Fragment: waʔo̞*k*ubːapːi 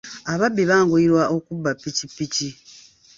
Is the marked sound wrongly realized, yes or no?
no